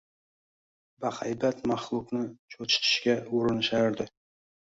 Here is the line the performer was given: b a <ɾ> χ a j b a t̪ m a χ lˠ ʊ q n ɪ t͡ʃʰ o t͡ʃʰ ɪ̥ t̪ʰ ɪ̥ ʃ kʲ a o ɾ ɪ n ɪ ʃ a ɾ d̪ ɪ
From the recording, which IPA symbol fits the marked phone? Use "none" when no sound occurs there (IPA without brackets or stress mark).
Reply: none